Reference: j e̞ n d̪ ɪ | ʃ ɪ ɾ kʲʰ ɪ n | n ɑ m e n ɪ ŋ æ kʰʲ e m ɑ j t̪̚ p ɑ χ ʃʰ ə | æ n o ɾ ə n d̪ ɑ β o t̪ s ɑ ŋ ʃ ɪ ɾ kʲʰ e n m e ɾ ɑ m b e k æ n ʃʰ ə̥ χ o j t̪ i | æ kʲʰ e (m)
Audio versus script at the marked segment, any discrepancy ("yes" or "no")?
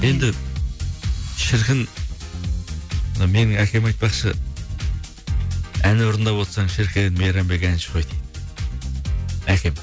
no